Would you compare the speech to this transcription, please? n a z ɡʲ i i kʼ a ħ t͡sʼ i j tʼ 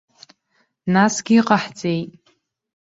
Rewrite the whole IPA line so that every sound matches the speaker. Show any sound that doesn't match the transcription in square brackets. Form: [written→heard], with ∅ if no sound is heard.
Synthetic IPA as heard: n a [z→s] ɡʲ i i [kʼ→qʼ] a ħ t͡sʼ [i→e] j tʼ